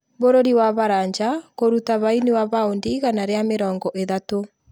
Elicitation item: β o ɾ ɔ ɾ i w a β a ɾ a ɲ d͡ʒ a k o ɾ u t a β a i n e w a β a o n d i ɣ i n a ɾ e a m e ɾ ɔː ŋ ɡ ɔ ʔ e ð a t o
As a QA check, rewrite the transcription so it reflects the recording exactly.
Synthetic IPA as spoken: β o ɾ o ɾ i w a β a ɾ a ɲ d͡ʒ a k o ɾ u t a β a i n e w a β a o n d i ɣ a n a ɾ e a m e ɾ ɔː ŋ ɡ ɔ ʔ e ð a t o